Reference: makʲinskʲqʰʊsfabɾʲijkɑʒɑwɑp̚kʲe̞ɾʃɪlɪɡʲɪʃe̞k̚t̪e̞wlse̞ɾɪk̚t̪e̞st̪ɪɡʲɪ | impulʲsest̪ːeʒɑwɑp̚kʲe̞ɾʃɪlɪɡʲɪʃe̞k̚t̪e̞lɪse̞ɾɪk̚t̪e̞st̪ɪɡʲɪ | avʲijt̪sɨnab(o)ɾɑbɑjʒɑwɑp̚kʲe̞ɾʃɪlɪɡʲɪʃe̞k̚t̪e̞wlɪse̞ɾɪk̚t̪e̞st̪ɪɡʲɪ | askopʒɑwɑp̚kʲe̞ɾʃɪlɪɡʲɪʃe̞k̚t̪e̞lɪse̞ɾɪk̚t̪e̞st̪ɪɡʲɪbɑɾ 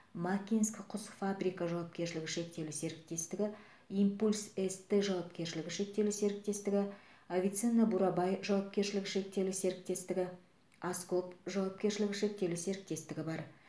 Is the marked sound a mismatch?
yes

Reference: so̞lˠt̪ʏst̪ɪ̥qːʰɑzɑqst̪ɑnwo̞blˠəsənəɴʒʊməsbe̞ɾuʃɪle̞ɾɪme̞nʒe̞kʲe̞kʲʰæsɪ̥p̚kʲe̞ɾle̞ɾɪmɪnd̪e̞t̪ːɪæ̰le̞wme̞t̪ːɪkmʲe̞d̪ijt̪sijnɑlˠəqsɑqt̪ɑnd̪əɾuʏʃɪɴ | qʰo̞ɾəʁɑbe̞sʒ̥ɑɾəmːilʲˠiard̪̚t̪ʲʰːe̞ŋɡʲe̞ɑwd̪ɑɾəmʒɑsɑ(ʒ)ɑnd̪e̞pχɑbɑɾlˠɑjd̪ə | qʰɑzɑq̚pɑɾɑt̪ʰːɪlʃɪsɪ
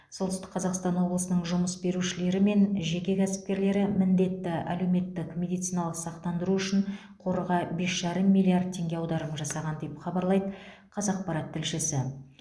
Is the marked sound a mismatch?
yes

